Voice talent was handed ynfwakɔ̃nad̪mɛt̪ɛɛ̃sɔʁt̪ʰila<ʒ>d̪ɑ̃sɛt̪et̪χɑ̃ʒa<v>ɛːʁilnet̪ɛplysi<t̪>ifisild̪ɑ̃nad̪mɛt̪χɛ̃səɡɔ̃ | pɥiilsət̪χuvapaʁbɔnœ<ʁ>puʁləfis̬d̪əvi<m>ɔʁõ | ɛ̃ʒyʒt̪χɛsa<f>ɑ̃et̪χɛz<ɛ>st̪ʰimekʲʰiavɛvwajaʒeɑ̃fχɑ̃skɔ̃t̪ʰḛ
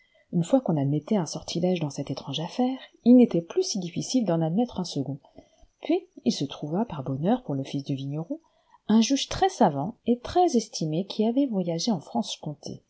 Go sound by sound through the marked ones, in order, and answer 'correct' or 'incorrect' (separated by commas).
correct, incorrect, incorrect, correct, incorrect, incorrect, correct